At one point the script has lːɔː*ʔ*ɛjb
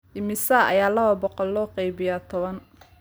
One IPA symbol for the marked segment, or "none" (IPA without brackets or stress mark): q